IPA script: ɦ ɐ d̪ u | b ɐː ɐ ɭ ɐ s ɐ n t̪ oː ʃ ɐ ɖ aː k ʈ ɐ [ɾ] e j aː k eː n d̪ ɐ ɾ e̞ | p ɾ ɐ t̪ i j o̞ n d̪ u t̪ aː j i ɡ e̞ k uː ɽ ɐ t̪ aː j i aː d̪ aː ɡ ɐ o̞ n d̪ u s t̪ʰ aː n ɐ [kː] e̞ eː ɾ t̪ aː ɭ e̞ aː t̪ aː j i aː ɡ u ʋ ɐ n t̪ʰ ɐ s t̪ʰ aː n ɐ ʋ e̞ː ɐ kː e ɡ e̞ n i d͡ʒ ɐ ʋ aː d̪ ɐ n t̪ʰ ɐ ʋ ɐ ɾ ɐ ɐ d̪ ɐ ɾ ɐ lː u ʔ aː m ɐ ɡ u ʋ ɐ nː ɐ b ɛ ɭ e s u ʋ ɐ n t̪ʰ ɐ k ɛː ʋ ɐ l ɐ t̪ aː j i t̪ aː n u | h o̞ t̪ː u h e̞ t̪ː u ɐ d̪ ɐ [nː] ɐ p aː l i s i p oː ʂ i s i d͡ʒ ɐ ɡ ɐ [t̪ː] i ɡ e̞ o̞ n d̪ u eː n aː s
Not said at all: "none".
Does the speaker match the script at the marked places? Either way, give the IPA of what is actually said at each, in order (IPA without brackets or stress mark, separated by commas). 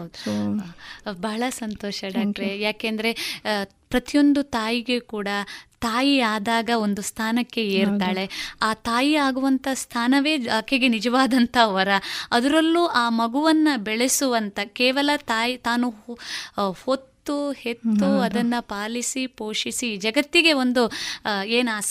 ɾ, kː, nː, t̪ː